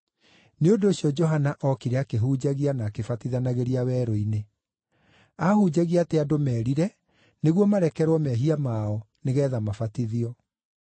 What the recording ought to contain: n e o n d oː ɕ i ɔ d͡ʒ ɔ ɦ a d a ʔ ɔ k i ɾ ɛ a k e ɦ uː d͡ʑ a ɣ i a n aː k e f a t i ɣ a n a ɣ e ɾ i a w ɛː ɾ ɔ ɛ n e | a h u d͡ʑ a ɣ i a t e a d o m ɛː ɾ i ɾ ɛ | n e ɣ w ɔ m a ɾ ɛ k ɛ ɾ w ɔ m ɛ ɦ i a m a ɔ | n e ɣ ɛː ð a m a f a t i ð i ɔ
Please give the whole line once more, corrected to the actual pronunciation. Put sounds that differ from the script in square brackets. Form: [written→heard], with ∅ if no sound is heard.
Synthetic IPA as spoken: n e o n d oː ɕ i ɔ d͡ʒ ɔ ɦ a [d→n] a ʔ ɔ k i ɾ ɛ a k e ɦ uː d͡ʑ a ɣ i a n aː k e f a t i [ɣ→ð] a n a ɣ e ɾ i a w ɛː ɾ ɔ [ɛ→i] n e | a h u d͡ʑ a ɣ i a t e a d o m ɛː ɾ i ɾ ɛ | n e ɣ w ɔ m a ɾ ɛ k ɛ ɾ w ɔ m ɛ ɦ i a m a ɔ | n e ɣ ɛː ð a m a f a t i ð i ɔ